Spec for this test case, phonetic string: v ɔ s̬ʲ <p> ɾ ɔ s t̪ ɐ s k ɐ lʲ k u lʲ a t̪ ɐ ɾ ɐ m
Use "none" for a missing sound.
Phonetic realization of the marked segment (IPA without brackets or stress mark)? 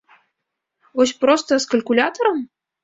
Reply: p